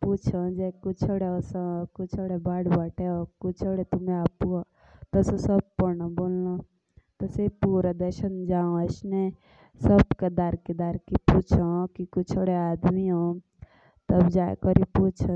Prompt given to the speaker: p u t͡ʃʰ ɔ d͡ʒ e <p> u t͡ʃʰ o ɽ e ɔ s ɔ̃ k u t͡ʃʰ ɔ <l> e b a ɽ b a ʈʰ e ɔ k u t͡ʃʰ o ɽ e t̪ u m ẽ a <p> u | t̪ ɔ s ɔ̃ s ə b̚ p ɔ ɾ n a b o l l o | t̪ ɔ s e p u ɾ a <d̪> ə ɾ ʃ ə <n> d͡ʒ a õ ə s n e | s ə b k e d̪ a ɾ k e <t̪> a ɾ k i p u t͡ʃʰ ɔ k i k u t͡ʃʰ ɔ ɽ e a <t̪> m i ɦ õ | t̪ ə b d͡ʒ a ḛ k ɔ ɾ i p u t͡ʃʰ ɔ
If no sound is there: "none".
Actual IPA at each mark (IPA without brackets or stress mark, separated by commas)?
k, ɽ, p, d̪, n, d̪, d̪